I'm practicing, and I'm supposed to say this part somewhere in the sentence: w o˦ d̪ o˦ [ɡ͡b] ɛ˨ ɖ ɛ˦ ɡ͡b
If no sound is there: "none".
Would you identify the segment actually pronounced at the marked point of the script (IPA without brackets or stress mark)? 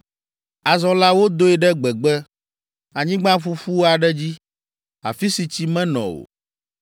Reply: none